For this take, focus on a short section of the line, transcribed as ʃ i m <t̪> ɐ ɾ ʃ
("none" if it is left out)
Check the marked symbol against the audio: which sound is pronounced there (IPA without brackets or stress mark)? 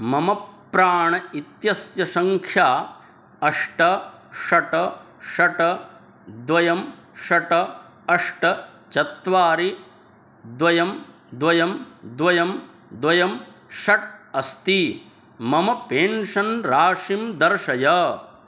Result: d̪